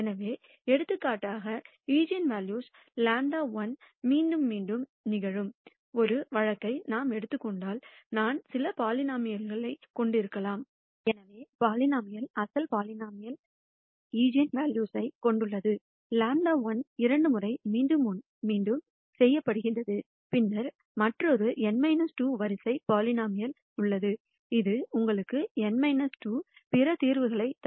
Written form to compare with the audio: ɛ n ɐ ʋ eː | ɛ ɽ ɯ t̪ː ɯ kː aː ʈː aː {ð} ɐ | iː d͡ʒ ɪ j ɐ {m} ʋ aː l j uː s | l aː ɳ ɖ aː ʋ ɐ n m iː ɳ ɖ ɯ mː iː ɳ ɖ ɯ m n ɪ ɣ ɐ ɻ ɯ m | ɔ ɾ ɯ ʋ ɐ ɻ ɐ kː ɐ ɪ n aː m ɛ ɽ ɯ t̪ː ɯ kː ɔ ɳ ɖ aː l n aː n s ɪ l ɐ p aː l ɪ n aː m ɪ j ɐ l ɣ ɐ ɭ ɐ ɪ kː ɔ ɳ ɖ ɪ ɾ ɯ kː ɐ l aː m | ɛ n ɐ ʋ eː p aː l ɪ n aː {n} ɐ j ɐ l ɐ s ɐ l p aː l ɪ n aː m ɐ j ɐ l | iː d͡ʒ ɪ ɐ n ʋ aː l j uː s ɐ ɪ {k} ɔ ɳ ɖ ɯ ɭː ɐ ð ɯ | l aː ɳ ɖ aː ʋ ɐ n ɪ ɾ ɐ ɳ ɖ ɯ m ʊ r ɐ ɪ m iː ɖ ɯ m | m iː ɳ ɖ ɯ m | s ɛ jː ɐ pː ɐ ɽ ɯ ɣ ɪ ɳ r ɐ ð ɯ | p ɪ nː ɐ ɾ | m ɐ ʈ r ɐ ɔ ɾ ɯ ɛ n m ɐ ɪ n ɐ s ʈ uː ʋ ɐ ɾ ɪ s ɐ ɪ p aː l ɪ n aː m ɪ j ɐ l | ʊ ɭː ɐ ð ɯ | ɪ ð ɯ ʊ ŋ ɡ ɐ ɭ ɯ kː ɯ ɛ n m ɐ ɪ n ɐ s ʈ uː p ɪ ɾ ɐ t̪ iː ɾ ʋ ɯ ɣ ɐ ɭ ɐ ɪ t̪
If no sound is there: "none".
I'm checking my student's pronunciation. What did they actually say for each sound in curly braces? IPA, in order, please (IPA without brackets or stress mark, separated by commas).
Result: ɣ, n, m, k